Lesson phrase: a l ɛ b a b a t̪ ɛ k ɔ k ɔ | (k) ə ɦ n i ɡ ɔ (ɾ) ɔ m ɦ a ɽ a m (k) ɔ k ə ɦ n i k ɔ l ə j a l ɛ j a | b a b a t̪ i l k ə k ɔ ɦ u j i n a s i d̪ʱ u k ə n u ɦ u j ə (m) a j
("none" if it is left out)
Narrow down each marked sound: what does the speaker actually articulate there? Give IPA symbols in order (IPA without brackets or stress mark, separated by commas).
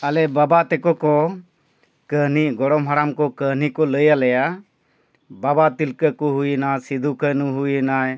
k, ɽ, k, n